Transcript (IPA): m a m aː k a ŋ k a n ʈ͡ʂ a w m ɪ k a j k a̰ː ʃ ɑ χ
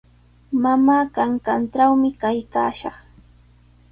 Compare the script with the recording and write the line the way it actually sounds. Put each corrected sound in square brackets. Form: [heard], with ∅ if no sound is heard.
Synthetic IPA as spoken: m a m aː k a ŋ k a n ʈ͡ʂ a w m ɪ k a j k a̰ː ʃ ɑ χ